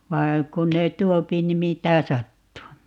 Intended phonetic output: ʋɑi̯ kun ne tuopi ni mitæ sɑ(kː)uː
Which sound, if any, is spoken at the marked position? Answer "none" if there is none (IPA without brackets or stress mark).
tː